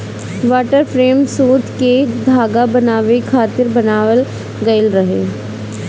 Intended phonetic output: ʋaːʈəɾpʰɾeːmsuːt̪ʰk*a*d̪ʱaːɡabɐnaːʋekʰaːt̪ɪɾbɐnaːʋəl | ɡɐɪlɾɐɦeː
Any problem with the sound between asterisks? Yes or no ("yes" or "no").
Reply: yes